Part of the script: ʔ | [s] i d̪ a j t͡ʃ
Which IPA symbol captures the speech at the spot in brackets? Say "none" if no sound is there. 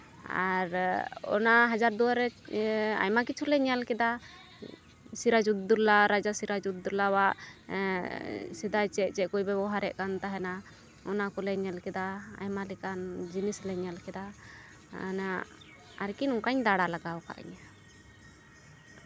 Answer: s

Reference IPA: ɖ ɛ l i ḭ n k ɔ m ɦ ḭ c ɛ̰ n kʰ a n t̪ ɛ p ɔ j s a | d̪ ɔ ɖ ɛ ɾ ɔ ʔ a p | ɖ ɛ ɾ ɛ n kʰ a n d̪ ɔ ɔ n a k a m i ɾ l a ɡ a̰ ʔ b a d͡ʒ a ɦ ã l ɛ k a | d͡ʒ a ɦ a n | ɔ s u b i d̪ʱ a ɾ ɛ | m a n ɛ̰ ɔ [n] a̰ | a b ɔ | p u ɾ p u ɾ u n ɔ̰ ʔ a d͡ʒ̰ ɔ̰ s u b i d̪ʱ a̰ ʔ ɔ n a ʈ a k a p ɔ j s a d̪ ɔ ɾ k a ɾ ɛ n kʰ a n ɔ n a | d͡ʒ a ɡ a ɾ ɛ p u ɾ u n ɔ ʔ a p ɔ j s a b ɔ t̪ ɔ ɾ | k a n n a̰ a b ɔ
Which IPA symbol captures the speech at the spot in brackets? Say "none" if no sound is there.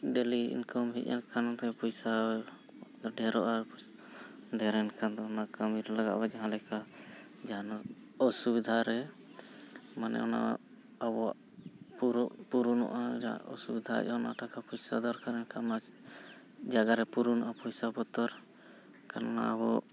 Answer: n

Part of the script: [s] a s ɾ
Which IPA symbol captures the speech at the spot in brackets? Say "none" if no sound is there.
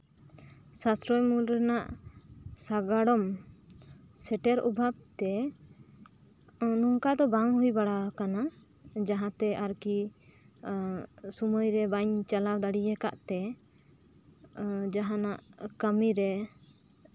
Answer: s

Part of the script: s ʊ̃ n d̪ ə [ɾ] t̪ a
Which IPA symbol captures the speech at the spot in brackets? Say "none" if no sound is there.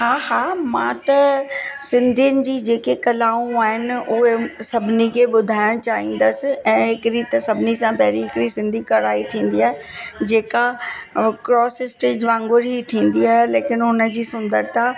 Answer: ɾ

